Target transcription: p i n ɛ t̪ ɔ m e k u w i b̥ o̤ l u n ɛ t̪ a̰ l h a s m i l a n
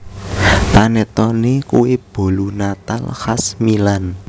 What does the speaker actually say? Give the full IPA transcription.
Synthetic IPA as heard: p a n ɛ t̪ ɔ n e k u w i b̥ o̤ l u n a t̪ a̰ l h a s m i l a n